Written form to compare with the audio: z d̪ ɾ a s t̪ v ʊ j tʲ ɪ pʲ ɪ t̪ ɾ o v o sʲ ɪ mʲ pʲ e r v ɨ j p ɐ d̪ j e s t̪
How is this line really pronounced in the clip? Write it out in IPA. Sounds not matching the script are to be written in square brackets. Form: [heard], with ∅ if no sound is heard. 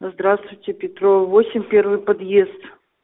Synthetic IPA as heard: z d̪ ɾ a s t̪ v ʊ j tʲ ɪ pʲ ɪ t̪ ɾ o v o sʲ ɪ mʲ pʲ e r v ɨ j p ɐ d̪ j e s t̪